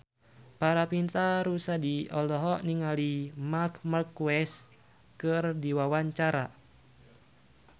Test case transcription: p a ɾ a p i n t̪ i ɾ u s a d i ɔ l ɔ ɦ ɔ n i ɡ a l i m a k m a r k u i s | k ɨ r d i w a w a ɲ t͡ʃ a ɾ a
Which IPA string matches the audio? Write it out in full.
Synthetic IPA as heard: p a ɾ a p i n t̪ a ɾ u s a d i ɔ l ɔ ɦ ɔ n i ŋ a l i m a k m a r k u ɛ s | k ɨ r d i w a w a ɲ t͡ʃ a ɾ a